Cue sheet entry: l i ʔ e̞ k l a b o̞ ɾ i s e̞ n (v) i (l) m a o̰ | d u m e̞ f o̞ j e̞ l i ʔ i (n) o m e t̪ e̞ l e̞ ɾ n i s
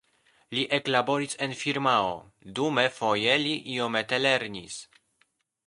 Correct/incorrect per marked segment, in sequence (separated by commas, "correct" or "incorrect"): incorrect, incorrect, incorrect